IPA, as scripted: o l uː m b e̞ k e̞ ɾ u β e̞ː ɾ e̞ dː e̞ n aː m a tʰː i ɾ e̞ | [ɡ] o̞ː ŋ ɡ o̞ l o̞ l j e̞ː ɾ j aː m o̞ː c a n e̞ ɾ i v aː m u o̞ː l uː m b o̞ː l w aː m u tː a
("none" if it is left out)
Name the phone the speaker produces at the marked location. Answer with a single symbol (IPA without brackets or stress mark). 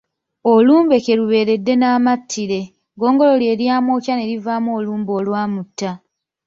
ɡ